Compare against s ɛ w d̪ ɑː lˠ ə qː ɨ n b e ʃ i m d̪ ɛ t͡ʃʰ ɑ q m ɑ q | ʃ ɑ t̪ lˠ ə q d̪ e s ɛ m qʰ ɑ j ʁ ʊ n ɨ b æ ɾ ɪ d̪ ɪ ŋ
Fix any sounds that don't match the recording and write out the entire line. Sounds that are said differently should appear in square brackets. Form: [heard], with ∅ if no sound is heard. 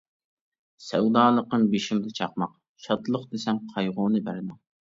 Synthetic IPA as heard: s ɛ w d̪ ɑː lˠ ə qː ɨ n b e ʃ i m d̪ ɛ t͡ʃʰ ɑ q m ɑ q | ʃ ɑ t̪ lˠ ə q d̪ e s ɛ m qʰ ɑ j ʁ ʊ n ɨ b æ ɾ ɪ d̪ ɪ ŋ